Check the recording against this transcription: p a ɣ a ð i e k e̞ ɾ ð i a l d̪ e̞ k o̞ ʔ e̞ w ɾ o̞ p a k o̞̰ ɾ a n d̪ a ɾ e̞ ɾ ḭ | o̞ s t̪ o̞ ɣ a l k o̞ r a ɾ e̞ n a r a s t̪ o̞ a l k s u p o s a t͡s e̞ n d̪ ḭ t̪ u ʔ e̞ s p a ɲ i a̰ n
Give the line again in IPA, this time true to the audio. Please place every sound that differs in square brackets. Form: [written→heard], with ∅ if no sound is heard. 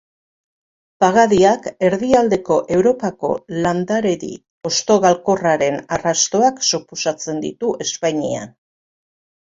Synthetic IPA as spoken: p a ɣ a ð i [e→a] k e̞ ɾ ð i a l d̪ e̞ k o̞ ʔ e̞ w ɾ o̞ p a k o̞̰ [ɾ→l] a n d̪ a ɾ e̞ ɾ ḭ | o̞ s t̪ o̞ ɣ a l k o̞ r a ɾ e̞ n a r a s t̪ o̞ a [l→∅] k s u p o s a t͡s e̞ n d̪ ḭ t̪ u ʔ e̞ s p a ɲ i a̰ n